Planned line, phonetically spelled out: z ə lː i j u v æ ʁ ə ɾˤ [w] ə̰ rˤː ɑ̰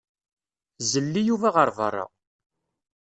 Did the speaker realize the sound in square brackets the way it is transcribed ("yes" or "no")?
no